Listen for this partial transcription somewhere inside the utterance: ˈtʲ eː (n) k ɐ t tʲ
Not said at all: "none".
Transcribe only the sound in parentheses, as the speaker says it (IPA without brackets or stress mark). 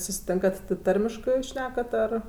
ŋ